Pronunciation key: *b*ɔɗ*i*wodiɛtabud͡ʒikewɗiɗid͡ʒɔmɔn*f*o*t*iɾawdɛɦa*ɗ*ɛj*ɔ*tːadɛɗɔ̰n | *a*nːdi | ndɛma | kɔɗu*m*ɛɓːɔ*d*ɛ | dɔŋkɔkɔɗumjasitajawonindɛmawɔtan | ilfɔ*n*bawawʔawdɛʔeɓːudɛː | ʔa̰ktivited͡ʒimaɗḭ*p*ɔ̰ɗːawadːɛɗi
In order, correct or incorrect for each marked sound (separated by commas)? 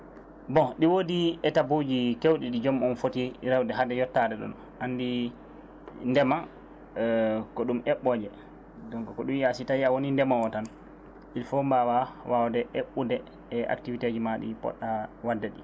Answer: correct, correct, correct, correct, incorrect, correct, correct, correct, incorrect, incorrect, correct